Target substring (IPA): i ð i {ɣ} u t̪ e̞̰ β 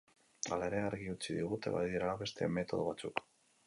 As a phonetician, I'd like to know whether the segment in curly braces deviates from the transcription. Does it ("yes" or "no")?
no